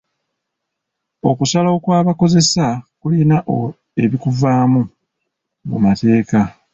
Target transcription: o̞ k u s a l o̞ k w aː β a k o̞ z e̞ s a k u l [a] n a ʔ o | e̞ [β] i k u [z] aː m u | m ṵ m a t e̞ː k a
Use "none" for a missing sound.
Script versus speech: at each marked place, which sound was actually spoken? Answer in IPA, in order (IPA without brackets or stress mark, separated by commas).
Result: i, β, v